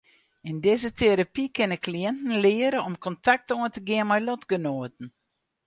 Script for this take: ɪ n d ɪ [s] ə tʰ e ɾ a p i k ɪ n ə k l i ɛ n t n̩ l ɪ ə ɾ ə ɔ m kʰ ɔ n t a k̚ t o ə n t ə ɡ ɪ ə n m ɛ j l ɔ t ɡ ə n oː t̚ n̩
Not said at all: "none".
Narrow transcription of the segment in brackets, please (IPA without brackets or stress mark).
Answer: z